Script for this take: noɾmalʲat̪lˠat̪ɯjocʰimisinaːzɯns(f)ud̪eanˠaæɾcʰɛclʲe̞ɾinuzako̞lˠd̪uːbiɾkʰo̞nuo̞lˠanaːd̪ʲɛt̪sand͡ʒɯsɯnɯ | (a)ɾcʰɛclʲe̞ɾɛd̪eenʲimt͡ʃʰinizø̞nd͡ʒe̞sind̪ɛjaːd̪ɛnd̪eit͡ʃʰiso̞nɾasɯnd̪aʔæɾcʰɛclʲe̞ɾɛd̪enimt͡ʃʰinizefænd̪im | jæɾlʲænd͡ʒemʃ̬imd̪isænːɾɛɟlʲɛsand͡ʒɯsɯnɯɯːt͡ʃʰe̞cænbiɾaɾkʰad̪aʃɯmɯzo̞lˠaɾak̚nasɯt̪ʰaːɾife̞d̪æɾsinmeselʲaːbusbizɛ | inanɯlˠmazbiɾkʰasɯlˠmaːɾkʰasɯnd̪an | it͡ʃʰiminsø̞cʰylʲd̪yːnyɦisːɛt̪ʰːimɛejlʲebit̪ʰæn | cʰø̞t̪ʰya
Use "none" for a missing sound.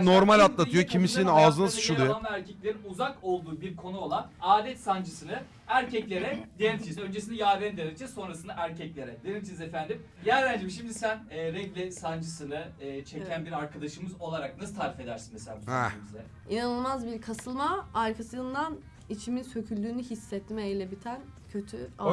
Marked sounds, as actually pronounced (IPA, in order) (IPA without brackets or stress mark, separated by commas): ʃ, æ